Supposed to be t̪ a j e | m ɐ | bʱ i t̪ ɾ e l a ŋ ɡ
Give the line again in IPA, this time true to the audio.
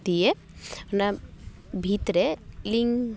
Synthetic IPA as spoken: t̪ i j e | n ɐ | bʱ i t̪ ɾ e l i ŋ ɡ